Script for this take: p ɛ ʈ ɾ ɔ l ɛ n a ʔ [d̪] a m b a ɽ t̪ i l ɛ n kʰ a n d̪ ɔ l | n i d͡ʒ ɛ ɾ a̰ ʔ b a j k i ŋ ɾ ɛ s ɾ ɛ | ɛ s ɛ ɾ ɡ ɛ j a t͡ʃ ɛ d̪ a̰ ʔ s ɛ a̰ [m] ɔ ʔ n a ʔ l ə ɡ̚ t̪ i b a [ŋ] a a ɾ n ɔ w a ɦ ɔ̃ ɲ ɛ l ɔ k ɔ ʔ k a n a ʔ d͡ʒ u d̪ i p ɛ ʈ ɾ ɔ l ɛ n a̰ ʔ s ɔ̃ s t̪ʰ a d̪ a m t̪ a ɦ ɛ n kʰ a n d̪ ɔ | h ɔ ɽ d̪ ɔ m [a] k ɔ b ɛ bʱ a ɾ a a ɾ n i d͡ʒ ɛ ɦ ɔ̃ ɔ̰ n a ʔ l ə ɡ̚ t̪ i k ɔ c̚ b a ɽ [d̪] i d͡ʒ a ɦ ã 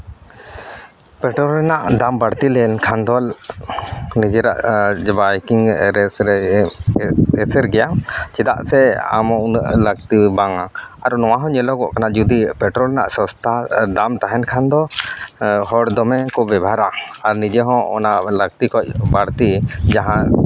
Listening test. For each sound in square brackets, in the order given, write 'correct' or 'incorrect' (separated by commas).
correct, correct, correct, incorrect, incorrect